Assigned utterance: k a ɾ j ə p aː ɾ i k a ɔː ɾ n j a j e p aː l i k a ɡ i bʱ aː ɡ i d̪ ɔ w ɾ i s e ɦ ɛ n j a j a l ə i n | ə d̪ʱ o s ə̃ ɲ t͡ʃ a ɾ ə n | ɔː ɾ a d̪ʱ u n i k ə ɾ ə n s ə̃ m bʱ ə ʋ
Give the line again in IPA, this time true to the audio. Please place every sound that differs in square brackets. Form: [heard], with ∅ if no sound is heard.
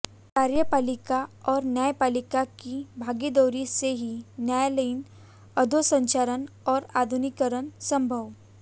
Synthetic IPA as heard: k a ɾ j ə p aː [l] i k a ɔː ɾ n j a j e p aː l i k a [k] i bʱ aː ɡ i d̪ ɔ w ɾ i s e ɦ [i] n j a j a l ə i n | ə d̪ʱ o s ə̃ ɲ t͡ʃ a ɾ ə n | ɔː ɾ a d̪ʱ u n i k ə ɾ ə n s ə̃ m bʱ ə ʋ